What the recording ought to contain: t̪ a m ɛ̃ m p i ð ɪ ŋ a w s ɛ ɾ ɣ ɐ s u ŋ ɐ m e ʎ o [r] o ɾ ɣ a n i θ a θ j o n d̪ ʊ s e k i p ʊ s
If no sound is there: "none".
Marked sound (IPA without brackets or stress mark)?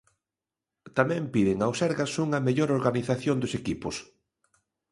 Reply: ɾ